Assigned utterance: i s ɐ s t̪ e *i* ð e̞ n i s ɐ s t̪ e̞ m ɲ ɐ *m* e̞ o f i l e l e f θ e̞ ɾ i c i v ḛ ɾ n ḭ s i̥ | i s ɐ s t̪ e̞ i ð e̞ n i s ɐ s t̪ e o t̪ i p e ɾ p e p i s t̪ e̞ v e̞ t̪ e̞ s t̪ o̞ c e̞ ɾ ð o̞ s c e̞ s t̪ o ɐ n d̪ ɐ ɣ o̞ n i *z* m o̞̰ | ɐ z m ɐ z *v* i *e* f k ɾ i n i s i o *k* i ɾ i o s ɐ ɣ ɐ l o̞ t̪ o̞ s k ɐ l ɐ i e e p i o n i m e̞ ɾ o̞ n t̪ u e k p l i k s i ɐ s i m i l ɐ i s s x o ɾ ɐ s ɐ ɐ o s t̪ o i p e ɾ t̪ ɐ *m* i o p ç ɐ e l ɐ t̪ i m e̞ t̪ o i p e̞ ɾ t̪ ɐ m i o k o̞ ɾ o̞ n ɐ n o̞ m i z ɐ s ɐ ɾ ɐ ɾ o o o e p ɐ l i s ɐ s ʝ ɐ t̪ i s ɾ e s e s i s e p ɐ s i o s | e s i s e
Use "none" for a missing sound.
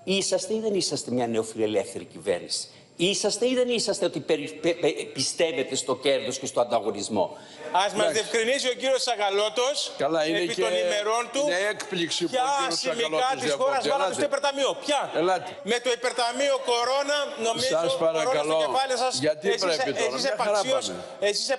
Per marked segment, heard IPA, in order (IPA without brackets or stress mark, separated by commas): i, n, z, ð, e, c, m